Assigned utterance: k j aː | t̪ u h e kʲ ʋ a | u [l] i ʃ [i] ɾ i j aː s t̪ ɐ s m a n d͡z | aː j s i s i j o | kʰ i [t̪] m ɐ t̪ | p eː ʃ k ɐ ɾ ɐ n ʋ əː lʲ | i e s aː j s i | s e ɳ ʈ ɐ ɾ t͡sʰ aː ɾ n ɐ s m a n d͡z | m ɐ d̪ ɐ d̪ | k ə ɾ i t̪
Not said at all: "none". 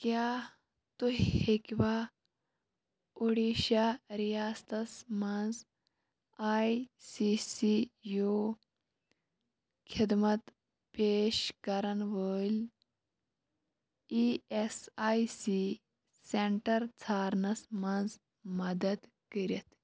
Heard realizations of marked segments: ɽ, a, d̪

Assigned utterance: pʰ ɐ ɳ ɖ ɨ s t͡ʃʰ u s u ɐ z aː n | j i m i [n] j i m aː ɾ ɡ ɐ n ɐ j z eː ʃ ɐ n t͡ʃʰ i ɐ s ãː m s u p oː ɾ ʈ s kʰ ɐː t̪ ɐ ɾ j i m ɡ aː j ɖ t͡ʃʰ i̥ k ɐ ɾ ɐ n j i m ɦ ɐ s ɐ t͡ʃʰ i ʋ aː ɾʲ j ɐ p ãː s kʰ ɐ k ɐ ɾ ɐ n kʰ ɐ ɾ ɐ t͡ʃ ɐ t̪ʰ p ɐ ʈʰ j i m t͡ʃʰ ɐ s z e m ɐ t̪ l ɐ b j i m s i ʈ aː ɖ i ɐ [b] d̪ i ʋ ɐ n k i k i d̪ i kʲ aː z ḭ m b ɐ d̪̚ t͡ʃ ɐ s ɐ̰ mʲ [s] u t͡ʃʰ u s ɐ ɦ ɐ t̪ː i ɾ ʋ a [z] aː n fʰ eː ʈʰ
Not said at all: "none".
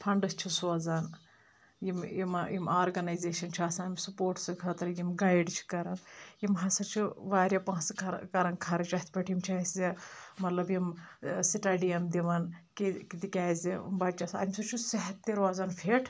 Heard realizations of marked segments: m, m, s, z

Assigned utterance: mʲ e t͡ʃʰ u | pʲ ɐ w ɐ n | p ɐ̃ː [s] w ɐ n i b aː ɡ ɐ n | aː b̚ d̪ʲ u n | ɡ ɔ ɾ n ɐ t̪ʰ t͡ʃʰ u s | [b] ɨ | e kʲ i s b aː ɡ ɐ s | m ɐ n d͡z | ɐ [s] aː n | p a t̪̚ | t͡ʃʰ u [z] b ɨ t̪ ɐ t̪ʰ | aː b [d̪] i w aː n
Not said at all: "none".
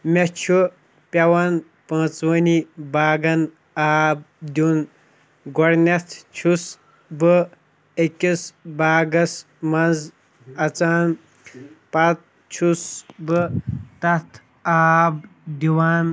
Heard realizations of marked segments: t͡s, b, t͡s, s, d̪

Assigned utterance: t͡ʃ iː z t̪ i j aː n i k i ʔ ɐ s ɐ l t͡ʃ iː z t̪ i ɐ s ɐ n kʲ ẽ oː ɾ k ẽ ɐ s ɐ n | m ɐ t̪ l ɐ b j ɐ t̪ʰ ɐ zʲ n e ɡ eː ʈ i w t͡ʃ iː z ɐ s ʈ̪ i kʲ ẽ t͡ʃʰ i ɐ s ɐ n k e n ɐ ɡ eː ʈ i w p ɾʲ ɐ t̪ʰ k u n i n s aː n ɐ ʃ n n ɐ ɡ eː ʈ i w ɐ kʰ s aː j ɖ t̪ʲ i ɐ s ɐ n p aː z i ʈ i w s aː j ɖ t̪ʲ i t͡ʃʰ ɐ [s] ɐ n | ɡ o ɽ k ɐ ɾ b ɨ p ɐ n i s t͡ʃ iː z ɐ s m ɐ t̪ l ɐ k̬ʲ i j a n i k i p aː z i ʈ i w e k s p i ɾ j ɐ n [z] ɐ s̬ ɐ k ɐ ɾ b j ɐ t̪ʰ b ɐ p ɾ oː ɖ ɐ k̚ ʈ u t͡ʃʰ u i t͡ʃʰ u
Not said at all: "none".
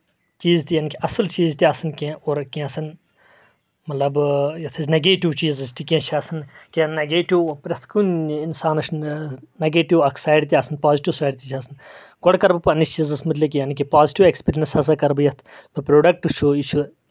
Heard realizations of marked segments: s, s

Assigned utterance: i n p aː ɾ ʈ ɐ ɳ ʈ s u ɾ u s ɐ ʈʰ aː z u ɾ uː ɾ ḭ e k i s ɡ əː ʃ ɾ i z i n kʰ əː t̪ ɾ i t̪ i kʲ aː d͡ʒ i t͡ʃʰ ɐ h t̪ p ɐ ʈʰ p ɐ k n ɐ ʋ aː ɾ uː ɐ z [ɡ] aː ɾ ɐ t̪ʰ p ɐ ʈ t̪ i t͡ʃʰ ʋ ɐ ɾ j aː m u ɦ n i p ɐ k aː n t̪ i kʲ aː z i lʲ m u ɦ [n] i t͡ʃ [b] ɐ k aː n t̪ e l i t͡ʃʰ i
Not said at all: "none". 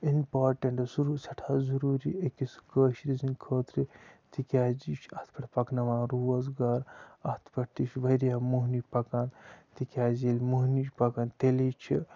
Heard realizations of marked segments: ɡ, n, p

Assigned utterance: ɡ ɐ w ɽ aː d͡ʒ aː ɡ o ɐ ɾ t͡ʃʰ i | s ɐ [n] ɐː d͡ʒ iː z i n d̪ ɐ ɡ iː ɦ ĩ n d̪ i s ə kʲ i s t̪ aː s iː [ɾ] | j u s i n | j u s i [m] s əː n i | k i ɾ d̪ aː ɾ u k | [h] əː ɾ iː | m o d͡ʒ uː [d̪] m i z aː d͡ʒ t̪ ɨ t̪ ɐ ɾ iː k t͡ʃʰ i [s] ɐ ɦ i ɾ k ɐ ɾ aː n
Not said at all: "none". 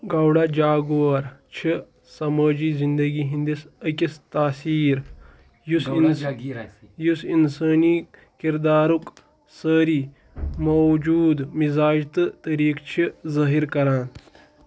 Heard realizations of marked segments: m, ɾ, n, s, d̪, z

